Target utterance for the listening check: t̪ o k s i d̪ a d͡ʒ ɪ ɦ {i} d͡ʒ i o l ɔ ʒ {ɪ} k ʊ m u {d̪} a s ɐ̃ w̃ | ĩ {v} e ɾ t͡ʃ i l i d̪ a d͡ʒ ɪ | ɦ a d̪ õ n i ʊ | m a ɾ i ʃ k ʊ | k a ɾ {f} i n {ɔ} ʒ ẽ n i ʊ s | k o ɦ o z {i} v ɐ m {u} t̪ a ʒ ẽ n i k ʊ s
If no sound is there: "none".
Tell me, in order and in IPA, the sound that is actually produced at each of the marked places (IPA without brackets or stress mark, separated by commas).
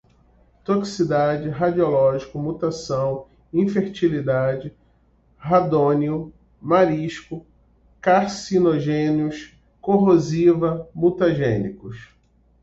a, i, t̪, f, s, o, i, u